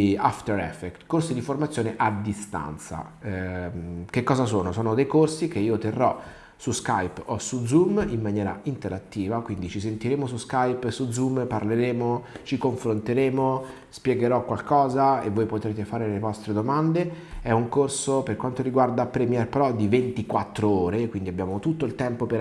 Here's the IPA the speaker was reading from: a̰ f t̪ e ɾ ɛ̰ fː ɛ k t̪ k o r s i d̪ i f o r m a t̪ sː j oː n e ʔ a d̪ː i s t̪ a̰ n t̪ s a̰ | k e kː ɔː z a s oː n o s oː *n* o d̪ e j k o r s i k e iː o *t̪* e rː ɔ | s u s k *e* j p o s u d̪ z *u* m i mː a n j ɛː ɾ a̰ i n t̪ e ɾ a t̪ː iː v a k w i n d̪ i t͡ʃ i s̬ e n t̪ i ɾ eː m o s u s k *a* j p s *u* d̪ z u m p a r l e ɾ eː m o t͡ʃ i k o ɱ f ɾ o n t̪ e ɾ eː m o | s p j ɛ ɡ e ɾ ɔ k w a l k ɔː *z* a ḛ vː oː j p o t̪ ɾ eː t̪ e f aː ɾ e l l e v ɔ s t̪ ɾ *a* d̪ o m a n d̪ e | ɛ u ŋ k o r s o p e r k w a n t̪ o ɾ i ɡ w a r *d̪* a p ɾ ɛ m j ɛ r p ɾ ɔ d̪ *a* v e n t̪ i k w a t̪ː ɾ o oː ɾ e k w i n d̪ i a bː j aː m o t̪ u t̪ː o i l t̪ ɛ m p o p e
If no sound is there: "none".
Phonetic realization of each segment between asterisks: n, t̪, a, u, a, u, z, e, d̪, i

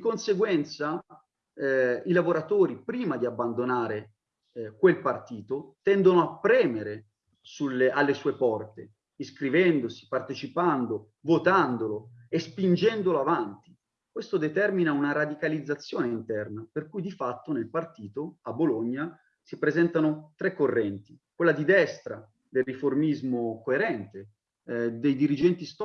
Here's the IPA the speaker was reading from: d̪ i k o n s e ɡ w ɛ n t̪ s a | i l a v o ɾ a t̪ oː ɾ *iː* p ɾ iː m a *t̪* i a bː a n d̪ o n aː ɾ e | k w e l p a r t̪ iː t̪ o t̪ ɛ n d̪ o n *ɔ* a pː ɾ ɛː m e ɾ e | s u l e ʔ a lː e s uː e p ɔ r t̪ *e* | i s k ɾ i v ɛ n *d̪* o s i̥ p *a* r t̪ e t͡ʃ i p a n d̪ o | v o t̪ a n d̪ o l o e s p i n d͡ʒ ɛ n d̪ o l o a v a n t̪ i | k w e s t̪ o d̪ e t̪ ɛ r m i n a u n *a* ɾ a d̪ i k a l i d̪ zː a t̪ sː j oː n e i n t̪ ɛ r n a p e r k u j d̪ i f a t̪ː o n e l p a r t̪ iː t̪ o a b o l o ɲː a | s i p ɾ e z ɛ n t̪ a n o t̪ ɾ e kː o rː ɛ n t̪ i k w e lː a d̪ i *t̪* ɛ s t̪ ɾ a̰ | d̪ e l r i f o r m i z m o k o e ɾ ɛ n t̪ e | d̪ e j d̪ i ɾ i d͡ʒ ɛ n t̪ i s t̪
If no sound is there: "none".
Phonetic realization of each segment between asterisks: i, d̪, o, e, d̪, a, a, d̪

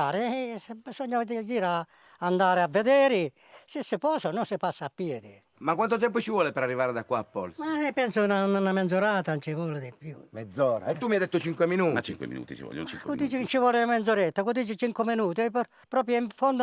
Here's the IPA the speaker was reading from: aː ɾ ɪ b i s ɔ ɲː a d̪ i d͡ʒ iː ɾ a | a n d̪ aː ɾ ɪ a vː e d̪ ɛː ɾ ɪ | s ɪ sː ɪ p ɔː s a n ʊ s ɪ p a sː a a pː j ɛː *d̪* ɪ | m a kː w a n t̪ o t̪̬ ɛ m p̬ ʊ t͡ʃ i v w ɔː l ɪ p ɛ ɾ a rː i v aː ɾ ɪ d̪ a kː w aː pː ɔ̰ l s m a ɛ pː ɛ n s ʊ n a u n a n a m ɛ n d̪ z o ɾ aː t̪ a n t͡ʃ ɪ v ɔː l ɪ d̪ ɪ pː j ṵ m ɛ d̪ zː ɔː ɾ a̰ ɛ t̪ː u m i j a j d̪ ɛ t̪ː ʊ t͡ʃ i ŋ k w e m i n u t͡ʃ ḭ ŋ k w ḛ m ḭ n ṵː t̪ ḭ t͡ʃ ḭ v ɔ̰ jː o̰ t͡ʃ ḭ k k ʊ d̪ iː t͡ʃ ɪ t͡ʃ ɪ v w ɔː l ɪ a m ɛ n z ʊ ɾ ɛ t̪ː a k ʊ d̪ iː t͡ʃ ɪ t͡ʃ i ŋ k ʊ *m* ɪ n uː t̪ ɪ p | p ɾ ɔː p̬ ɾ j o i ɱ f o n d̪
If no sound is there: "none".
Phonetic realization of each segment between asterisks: d̪, m

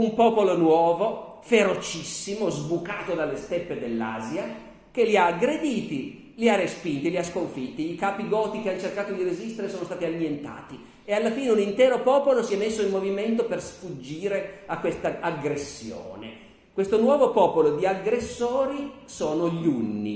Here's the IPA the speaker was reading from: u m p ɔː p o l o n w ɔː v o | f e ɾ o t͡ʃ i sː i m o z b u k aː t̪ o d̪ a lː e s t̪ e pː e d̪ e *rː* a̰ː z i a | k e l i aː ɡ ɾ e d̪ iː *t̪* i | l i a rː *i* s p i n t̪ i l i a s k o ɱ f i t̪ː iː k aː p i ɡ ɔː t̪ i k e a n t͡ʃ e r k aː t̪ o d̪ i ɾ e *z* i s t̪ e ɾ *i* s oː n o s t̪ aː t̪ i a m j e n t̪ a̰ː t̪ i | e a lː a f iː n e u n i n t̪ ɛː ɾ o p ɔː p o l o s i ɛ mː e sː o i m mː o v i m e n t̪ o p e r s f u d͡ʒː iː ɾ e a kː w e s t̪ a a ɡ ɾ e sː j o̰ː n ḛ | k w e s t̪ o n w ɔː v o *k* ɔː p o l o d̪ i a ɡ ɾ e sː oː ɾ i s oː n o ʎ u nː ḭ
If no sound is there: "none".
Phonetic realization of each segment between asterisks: lː, t̪, e, z, e, p

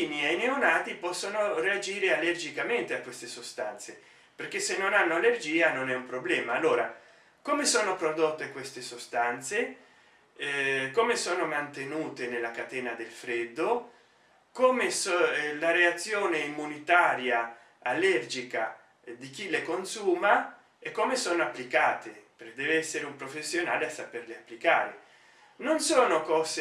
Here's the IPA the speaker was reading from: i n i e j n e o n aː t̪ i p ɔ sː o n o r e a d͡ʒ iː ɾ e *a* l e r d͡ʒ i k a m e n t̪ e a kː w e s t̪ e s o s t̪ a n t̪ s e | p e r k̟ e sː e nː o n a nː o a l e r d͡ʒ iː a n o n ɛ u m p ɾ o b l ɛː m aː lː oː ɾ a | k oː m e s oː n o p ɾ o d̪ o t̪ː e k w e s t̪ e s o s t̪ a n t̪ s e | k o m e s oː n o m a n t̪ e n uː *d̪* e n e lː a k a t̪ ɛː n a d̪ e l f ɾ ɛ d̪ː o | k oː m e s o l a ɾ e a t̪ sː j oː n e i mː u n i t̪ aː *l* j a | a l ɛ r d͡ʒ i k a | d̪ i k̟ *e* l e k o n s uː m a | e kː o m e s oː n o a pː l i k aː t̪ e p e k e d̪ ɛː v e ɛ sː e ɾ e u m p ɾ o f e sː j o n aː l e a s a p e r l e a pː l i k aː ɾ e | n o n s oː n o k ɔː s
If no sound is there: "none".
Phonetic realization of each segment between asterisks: a, t̪, ɾ, i

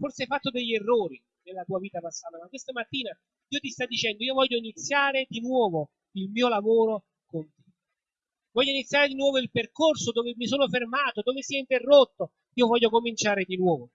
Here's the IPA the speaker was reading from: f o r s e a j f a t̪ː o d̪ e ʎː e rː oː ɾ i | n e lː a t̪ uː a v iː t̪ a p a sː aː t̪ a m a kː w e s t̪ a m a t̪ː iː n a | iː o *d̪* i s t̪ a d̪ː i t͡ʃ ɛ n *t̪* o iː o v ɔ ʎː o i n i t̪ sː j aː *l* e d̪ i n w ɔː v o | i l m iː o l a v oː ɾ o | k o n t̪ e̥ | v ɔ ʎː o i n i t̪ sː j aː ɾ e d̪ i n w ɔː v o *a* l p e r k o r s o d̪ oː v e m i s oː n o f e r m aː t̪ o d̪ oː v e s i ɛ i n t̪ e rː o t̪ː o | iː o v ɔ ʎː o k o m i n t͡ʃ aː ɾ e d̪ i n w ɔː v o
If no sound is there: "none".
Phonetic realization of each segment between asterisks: t̪, d̪, ɾ, i

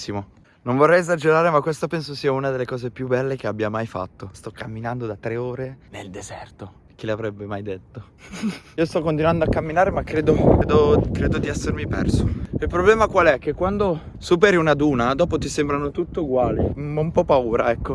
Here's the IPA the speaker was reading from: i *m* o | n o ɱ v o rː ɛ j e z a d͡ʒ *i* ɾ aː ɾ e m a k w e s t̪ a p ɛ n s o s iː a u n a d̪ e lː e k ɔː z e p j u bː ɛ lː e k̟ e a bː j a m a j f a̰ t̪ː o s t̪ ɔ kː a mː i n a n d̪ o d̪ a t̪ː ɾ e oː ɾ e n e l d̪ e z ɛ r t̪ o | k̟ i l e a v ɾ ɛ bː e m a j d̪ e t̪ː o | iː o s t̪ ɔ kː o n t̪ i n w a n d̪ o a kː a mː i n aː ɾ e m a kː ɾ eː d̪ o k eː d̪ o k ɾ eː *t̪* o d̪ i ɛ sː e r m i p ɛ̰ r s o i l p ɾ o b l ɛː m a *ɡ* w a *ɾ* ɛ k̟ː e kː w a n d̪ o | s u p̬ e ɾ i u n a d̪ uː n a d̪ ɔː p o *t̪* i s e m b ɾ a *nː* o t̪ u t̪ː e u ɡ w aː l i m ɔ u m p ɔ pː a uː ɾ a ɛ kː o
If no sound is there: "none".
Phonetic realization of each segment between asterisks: m, e, d̪, k, l, t̪, n

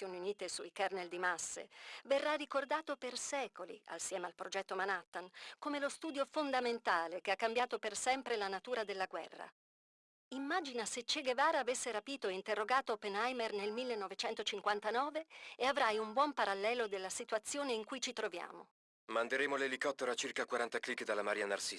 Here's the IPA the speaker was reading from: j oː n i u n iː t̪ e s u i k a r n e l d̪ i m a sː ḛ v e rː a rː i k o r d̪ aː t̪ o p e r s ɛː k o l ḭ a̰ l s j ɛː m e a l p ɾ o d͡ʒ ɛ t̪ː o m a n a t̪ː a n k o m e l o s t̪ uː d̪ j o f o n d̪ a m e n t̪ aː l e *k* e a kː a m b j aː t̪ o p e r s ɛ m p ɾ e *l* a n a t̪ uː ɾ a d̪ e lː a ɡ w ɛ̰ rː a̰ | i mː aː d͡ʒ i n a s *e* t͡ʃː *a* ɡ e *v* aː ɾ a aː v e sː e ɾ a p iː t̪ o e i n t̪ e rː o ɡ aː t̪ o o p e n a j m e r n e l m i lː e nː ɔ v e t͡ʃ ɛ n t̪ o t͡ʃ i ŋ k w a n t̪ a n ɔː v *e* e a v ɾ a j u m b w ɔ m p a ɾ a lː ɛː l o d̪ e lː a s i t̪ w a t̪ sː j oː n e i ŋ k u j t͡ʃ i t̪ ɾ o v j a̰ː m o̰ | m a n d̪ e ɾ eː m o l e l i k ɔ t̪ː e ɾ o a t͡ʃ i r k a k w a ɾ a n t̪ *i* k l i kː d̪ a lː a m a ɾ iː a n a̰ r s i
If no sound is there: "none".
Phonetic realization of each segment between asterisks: k, l, e, e, v, e, a

